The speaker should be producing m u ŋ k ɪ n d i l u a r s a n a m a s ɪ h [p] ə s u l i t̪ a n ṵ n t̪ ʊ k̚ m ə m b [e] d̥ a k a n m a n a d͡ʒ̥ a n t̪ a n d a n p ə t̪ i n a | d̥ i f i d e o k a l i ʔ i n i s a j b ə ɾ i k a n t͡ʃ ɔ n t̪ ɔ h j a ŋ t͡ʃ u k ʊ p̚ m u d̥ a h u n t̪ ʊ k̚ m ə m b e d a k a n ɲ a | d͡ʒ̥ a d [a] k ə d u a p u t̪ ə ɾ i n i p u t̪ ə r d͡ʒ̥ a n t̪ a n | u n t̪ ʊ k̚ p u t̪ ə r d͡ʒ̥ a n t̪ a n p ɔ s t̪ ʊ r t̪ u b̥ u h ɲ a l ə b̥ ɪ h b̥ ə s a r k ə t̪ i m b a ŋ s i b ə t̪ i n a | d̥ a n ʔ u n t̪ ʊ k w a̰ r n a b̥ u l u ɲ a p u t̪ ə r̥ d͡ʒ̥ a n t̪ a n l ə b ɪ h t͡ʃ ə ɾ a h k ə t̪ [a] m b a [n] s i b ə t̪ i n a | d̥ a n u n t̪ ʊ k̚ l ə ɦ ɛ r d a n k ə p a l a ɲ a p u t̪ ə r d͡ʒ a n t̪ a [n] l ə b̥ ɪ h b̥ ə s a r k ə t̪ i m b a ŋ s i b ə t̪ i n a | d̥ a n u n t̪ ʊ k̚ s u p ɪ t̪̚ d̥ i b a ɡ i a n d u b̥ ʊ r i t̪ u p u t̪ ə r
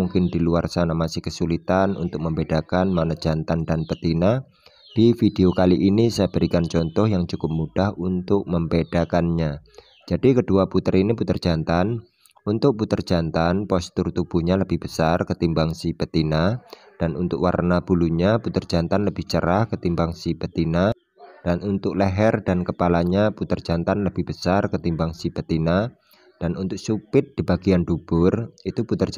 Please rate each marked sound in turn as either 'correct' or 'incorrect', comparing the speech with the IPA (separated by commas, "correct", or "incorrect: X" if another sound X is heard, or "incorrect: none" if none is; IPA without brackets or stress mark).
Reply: incorrect: k, correct, incorrect: i, incorrect: i, incorrect: ŋ, correct